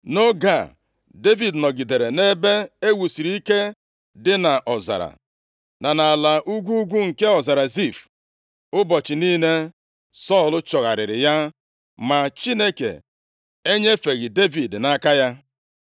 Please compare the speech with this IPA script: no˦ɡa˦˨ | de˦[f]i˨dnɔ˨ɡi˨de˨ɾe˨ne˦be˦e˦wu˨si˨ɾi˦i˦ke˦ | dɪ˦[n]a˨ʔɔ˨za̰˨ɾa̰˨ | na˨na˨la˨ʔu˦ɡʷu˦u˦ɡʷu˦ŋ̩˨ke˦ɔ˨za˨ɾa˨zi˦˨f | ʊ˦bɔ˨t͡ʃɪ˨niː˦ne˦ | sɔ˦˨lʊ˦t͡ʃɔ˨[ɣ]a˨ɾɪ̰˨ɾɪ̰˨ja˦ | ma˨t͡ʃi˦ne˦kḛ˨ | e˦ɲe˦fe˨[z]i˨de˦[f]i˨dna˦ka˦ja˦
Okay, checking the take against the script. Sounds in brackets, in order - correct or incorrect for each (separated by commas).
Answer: incorrect, correct, correct, incorrect, incorrect